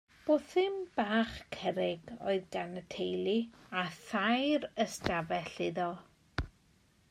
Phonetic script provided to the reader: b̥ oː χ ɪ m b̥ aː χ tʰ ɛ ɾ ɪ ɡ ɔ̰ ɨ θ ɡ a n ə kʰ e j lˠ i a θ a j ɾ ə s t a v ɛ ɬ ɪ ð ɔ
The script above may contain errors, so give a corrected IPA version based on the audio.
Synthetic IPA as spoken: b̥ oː θ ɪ m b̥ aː χ kʰ ɛ ɾ ɪ ɡ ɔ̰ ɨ ð ɡ a n ə tʰ e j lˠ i a θ a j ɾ ə s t a v ɛ ɬ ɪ ð ɔ